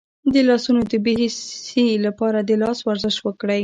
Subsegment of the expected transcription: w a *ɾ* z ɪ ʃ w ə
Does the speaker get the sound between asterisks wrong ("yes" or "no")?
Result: no